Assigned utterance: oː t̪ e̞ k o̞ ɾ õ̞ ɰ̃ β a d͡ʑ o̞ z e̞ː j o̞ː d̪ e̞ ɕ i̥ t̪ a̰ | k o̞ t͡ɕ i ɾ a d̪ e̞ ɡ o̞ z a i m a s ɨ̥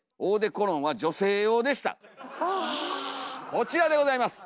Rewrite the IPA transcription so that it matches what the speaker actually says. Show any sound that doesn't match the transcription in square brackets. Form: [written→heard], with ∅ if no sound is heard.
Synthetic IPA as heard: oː [t̪→d̪] e̞ k o̞ ɾ õ̞ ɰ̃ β a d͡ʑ o̞ [z→s] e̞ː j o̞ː d̪ e̞ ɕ i̥ t̪ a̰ | k o̞ t͡ɕ i ɾ a d̪ e̞ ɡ o̞ z a i m a s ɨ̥